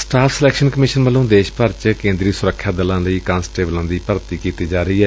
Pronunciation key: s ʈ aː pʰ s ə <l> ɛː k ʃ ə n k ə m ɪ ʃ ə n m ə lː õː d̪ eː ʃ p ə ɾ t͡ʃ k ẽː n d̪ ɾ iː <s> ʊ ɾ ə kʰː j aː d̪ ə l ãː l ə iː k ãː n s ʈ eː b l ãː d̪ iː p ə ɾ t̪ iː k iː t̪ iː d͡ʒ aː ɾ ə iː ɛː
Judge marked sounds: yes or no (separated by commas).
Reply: yes, yes